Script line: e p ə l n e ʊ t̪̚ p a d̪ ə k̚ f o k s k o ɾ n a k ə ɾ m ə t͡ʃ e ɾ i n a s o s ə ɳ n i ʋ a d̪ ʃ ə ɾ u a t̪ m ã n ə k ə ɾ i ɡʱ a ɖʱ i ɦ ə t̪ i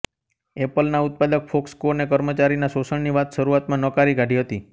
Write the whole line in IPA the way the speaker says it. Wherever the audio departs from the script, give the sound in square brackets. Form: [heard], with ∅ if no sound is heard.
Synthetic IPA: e p ə l n [a] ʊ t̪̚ p a d̪ ə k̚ f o k s k o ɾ n [e] k ə ɾ m ə t͡ʃ [a] ɾ i n a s o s ə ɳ n i ʋ a [t̪] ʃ ə ɾ u a t̪ m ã n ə k [a] ɾ i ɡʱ a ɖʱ i ɦ ə t̪ i